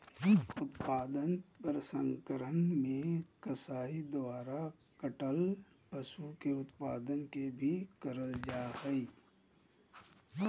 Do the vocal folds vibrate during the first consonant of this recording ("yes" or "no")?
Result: no